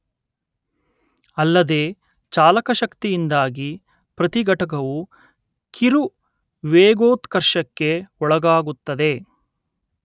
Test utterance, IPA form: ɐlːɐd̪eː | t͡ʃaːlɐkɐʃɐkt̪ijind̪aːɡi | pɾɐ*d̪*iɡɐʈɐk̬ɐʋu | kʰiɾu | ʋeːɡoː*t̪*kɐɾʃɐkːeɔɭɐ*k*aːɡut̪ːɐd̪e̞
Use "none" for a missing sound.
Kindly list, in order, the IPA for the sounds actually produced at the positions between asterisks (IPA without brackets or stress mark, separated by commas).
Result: t̪, t̪, ɡ